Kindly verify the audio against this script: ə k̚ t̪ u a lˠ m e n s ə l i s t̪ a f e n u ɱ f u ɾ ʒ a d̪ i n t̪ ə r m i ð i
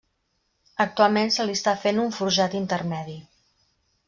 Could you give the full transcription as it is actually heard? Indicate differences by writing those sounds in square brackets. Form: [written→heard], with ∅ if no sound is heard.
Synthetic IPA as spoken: ə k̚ t̪ u a lˠ m e n s ə l i s t̪ a f e n u ɱ f u ɾ ʒ a [d̪→t̪] i n t̪ ə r m [i→ɛ] ð i

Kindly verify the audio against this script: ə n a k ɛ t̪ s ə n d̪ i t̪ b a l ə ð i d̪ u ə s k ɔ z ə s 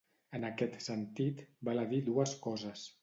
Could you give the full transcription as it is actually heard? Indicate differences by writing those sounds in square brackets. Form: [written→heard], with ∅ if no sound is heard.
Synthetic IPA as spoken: ə n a k ɛ t̪ s ə n [d̪→t̪] i t̪ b a l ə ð i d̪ u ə s k ɔ z ə s

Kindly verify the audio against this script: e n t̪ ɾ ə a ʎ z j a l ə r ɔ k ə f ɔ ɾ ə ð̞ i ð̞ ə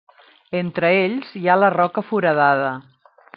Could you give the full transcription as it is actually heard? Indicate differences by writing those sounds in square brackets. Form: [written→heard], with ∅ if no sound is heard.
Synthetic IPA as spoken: e n t̪ ɾ ə [a→e] ʎ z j a l ə r ɔ k ə f [ɔ→u] ɾ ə ð̞ [i→a] ð̞ ə

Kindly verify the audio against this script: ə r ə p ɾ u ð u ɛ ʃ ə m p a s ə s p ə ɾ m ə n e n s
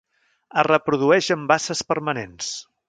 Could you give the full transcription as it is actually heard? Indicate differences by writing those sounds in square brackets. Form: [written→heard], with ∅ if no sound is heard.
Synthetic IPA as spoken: ə r ə p ɾ u ð u ɛ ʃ ə m [p→b] a s ə s p ə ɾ m ə n e n s

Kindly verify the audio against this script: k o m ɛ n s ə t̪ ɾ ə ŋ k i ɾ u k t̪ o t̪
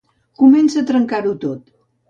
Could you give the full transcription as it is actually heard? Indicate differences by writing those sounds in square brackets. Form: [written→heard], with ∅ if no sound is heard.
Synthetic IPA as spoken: k [o→u] m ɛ n s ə t̪ ɾ ə ŋ k [i→a] ɾ u [k→∅] t̪ o t̪

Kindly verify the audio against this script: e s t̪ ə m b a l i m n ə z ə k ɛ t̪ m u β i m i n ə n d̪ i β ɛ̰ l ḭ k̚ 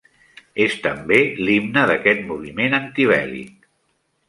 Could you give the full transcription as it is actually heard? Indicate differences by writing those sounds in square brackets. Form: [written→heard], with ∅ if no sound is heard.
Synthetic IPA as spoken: e s t̪ ə m b [a→e] l i m n ə [z→ð] ə k ɛ t̪ m u β i m [i→e] n ə n [d̪→t̪] i β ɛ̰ l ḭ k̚

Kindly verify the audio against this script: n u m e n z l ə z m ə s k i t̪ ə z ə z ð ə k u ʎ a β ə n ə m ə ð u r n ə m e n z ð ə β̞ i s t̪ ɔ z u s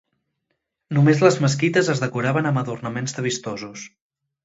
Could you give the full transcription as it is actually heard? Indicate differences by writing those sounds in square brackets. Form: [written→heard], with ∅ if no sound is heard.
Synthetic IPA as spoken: n u m e [n→∅] z l ə z m ə s k i t̪ ə z ə z ð ə k u [ʎ→ɾ] a β ə n ə m ə ð u r n ə m e n z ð ə β̞ i s t̪ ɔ z u s

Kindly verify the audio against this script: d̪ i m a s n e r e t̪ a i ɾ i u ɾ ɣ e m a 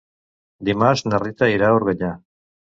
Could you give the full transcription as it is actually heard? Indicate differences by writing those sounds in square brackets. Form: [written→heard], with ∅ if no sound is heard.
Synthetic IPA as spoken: d̪ i m a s n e r [e→i] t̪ a i ɾ [i→a] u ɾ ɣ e [m→ɲ] a

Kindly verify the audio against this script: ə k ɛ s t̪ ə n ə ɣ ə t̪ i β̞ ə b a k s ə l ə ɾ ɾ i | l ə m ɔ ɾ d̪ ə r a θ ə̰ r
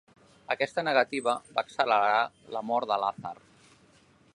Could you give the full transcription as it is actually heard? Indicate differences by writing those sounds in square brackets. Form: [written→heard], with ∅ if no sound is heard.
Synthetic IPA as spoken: ə k ɛ s t̪ ə n ə ɣ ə t̪ i β̞ ə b a k s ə l ə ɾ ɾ [i→a] | l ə m ɔ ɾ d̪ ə [r→l] a θ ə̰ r

